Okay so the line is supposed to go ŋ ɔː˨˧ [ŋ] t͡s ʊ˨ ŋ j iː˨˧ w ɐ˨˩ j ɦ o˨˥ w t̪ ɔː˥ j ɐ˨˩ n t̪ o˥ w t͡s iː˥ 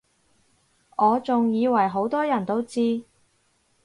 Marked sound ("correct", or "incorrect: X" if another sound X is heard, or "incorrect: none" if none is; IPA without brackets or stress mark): incorrect: none